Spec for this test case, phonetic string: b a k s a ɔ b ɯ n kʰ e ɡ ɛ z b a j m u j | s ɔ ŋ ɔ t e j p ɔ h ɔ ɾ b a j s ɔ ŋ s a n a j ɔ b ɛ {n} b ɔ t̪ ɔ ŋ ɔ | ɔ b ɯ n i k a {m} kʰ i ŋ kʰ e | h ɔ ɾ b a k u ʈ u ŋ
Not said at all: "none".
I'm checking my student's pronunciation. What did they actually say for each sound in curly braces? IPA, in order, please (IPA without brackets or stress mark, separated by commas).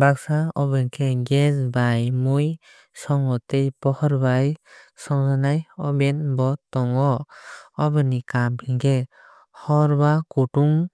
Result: n, m